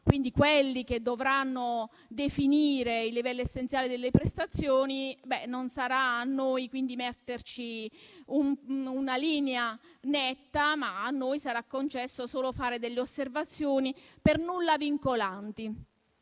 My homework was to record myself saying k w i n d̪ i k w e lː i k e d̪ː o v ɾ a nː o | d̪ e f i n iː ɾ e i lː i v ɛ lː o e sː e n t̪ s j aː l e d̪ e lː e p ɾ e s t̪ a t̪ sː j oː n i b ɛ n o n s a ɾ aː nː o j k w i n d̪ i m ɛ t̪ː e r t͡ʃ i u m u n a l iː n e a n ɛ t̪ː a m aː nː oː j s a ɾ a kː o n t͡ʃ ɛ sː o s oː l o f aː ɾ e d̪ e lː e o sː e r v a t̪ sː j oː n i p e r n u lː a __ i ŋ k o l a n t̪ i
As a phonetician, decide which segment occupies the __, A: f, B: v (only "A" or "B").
B